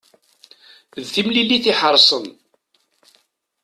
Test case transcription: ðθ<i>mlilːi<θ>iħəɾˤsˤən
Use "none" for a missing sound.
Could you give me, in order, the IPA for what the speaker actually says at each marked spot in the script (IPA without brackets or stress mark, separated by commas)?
i, θ